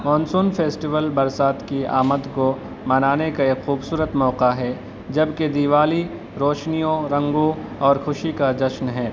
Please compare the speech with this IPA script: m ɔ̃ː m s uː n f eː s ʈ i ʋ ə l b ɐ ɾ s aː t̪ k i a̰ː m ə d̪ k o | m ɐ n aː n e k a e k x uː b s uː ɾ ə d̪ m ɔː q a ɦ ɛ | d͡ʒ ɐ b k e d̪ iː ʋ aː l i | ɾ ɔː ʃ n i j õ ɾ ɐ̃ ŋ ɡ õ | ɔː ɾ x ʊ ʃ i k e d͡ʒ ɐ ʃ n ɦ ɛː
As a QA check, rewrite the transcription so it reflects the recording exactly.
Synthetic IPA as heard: m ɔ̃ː n s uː n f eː s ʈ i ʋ ə l b ɐ ɾ s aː t̪ k i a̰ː m ə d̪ k o | m ɐ n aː n e k a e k x uː b s uː ɾ ə t̪ m ɔː q a ɦ ɛ | d͡ʒ ɐ b k e d̪ iː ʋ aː l i | ɾ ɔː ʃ n i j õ ɾ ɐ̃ ŋ ɡ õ | ɔː ɾ x ʊ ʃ i k a d͡ʒ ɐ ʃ n ɦ ɛː